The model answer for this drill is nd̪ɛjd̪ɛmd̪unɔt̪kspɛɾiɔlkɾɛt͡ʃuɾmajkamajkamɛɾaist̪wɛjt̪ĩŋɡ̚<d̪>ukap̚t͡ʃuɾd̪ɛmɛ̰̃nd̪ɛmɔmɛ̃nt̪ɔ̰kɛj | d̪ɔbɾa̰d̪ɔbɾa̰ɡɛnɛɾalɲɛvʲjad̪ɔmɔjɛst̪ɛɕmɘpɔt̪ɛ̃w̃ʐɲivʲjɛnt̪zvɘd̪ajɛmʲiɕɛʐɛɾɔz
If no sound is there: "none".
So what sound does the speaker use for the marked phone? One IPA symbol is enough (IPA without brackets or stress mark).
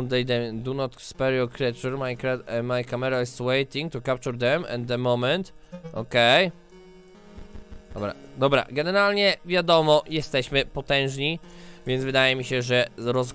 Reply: t̪